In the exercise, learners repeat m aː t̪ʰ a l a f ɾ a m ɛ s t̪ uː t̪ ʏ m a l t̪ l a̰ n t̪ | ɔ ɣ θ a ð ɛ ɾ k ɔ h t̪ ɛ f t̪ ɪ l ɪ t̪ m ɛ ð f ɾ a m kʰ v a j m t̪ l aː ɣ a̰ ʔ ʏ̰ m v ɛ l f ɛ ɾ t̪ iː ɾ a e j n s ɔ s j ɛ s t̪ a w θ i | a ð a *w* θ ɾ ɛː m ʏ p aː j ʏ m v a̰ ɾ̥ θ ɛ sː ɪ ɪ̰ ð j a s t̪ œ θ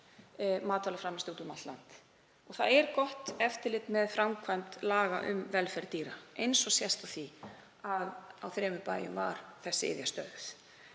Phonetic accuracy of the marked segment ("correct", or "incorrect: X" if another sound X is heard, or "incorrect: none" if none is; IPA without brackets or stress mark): correct